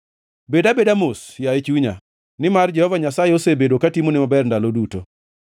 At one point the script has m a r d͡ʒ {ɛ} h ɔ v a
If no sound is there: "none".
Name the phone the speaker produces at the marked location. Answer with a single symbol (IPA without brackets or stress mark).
ɛ